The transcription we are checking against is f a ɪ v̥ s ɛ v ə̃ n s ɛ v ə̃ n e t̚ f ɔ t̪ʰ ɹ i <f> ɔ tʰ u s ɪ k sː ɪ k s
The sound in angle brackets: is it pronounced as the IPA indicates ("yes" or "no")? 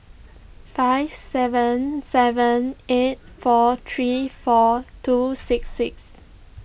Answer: yes